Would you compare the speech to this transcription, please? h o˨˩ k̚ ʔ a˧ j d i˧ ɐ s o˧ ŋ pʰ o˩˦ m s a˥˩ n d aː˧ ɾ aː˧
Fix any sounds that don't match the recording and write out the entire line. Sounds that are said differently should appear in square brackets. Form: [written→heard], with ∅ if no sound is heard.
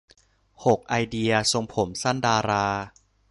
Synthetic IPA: h o˨˩ k̚ ʔ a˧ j d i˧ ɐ s o˧ ŋ pʰ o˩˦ m s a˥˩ n d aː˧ ɾ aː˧